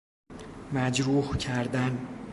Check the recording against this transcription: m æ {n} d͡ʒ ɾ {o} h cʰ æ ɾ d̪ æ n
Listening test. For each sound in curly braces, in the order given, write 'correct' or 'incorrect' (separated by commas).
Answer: incorrect, incorrect